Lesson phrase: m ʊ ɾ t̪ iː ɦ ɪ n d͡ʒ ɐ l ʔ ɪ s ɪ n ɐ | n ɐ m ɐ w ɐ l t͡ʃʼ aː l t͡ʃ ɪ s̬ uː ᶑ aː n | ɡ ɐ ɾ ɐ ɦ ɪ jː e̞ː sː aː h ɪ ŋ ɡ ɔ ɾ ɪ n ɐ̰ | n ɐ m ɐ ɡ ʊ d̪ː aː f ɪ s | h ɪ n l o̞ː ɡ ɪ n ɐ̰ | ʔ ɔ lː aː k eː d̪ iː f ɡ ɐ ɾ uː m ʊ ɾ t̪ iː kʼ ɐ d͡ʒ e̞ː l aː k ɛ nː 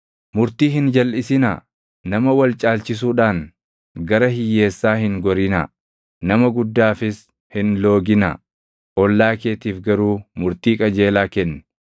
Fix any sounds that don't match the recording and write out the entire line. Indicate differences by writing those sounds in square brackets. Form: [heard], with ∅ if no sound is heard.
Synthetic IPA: m ʊ ɾ t̪ iː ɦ ɪ n d͡ʒ ɐ l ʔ ɪ s ɪ n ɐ | n ɐ m ɐ w ɐ l t͡ʃʼ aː l t͡ʃ ɪ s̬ uː ᶑ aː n | ɡ ɐ ɾ ɐ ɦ ɪ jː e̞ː sː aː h ɪ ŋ ɡ ɔ ɾ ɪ n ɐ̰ | n ɐ m ɐ ɡ ʊ d̪ː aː f ɪ s | h ɪ n l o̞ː ɡ ɪ n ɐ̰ | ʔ ɔ lː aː k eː [t̪] iː f ɡ ɐ ɾ uː m ʊ ɾ t̪ iː kʼ ɐ d͡ʒ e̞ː l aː k ɛ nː

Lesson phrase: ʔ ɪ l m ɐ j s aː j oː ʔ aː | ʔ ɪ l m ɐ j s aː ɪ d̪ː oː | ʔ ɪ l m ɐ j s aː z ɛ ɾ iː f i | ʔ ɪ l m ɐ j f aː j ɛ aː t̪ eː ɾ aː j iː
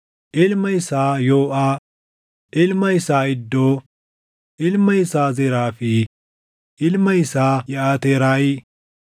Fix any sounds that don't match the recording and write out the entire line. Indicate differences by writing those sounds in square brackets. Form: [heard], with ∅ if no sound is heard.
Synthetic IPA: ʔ ɪ l m ɐ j s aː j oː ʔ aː | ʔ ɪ l m ɐ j s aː ɪ d̪ː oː | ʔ ɪ l m ɐ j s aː z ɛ ɾ [aː] f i | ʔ ɪ l m ɐ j [s] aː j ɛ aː t̪ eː ɾ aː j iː

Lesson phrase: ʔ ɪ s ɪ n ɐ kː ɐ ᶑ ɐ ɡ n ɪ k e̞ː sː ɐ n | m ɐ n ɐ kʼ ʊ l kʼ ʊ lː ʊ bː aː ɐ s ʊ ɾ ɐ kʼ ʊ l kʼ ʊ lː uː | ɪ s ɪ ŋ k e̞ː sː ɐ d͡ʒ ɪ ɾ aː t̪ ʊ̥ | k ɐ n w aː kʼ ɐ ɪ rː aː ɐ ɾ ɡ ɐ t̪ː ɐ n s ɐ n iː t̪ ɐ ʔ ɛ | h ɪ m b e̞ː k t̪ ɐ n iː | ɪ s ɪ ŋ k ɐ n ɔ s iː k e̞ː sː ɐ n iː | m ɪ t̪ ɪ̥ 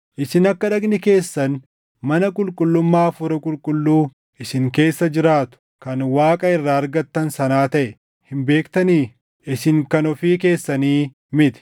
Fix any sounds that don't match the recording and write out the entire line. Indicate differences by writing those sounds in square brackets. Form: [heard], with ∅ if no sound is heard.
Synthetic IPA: ʔ ɪ s ɪ n ɐ kː ɐ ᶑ ɐ ɡ n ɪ k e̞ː sː ɐ n | m ɐ n ɐ kʼ ʊ l kʼ ʊ lː ʊ [mː] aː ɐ [f] ʊ ɾ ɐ kʼ ʊ l kʼ ʊ lː uː | ɪ s ɪ ŋ k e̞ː sː ɐ d͡ʒ ɪ ɾ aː t̪ ʊ̥ | k ɐ n w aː kʼ ɐ ɪ rː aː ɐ ɾ ɡ ɐ t̪ː ɐ n s ɐ n [aː] t̪ ɐ ʔ ɛ | h ɪ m b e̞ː k t̪ ɐ n iː | ɪ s ɪ ŋ k ɐ n ɔ [f] iː k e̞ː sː ɐ n iː | m ɪ t̪ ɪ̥

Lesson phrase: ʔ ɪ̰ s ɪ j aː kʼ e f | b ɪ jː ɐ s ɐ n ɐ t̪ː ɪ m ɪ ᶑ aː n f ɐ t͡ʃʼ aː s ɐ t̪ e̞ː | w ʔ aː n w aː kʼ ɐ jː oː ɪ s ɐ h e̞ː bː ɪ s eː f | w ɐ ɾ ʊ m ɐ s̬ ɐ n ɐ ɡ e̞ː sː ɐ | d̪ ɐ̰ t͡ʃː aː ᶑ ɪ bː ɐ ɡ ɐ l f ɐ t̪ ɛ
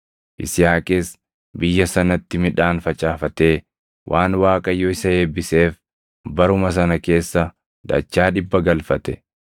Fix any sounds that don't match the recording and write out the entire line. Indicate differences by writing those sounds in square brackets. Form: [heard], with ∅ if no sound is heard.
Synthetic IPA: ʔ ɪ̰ s ɪ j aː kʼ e [s] | b ɪ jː ɐ s ɐ n ɐ t̪ː ɪ m ɪ ᶑ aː n f ɐ t͡ʃʼ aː [f] ɐ t̪ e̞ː | w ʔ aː n w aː kʼ ɐ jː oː ɪ s ɐ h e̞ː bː ɪ s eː f | [b] ɐ ɾ ʊ m ɐ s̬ ɐ n ɐ [k] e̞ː sː ɐ | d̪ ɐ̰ t͡ʃː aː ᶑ ɪ bː ɐ ɡ ɐ l f ɐ t̪ ɛ

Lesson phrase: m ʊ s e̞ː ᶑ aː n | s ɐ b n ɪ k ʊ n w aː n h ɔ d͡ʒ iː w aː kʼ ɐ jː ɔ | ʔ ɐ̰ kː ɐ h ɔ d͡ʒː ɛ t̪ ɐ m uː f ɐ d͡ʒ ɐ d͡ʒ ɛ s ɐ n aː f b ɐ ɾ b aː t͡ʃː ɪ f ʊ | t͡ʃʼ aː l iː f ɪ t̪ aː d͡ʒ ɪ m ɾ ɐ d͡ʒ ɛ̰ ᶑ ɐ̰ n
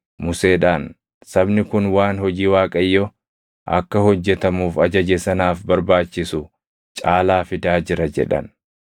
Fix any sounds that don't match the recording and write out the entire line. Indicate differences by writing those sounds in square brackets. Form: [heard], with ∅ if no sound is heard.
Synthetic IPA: m ʊ s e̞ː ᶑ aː n | s ɐ b n ɪ k ʊ n w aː n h ɔ d͡ʒ iː w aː kʼ ɐ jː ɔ | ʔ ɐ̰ kː ɐ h ɔ d͡ʒː ɛ t̪ ɐ m uː f ɐ d͡ʒ ɐ d͡ʒ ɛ s ɐ n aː f b ɐ ɾ b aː t͡ʃː ɪ [s] ʊ | t͡ʃʼ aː l [aː] f ɪ [d̪] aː d͡ʒ ɪ [∅] ɾ ɐ d͡ʒ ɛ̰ ᶑ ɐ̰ n

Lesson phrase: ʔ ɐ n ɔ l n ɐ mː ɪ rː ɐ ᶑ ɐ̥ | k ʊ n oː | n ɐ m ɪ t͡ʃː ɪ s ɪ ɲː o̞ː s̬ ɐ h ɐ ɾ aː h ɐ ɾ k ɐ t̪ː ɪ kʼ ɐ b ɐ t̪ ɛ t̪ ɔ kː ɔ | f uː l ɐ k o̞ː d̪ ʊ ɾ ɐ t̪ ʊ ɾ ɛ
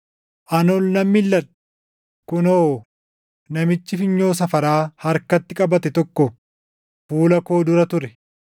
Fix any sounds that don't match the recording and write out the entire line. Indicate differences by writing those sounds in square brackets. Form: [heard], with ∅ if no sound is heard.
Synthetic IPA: ʔ ɐ n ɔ l n ɐ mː ɪ [lː] ɐ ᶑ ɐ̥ | k ʊ n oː | n ɐ m ɪ t͡ʃː ɪ [f] ɪ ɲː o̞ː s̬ ɐ [f] ɐ ɾ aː h ɐ ɾ k ɐ t̪ː ɪ kʼ ɐ b ɐ t̪ ɛ t̪ ɔ kː ɔ | f uː l ɐ k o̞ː d̪ ʊ ɾ ɐ t̪ ʊ ɾ ɛ

